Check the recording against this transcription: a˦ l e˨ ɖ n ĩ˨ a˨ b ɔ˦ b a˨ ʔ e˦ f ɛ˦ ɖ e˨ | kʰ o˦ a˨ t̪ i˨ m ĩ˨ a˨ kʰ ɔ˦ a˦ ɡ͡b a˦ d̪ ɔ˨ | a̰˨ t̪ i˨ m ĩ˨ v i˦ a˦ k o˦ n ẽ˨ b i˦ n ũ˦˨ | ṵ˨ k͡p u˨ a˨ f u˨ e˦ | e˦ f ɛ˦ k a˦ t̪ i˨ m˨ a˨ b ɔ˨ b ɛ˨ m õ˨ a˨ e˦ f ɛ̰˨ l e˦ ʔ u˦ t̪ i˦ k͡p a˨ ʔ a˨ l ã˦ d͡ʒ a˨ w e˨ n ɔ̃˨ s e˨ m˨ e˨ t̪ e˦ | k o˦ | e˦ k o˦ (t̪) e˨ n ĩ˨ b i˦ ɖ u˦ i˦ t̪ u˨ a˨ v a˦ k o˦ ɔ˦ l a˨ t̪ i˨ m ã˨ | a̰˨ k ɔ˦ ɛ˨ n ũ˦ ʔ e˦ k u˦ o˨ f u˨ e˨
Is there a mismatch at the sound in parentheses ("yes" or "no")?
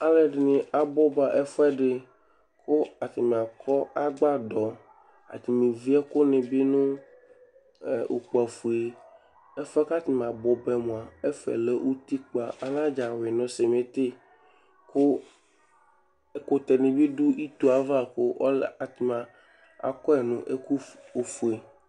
no